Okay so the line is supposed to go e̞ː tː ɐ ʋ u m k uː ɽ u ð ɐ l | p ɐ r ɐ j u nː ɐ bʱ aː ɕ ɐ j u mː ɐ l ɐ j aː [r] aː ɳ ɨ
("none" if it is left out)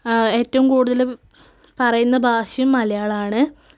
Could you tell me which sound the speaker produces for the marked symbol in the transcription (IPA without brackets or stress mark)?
ɭ